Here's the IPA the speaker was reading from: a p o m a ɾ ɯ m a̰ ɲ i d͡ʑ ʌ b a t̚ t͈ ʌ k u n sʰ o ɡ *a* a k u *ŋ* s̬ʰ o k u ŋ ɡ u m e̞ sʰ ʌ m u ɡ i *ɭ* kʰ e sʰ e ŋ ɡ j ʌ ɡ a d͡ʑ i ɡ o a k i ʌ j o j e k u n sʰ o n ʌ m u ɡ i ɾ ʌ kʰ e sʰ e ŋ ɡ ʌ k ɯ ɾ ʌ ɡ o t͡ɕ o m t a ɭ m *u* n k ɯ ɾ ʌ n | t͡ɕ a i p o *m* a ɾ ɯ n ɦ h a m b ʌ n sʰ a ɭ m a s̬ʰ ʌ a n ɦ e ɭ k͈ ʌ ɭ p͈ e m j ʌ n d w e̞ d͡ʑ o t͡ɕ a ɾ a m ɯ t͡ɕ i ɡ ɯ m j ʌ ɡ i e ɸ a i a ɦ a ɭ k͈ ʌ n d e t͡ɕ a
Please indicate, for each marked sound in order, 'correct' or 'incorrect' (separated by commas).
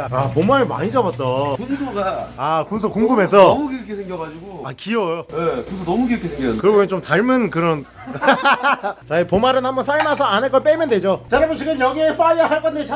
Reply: correct, incorrect, incorrect, incorrect, correct